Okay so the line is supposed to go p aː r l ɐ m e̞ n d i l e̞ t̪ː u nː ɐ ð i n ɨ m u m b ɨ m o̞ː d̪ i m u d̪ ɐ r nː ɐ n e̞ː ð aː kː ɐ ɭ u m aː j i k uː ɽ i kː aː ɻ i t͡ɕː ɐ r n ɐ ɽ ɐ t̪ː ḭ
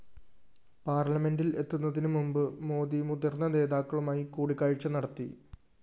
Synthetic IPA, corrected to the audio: p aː r l ɐ m e̞ n d i l e̞ t̪ː u nː ɐ ð i n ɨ m u m b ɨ m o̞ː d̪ i m u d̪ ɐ r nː ɐ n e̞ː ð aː kː ɐ ɭ u m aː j i k uː ɽ i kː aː ɻ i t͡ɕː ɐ n ɐ ɽ ɐ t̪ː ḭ